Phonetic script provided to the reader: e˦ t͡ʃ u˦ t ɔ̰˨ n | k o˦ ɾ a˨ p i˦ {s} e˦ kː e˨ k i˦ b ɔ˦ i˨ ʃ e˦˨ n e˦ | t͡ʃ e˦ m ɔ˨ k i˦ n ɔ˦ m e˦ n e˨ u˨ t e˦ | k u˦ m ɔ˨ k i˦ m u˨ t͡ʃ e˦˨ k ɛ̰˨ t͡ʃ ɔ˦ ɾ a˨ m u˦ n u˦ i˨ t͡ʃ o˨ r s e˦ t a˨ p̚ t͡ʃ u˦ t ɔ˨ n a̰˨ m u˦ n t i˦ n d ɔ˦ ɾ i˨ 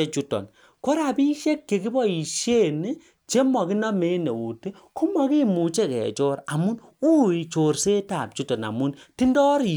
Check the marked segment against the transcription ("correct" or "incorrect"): incorrect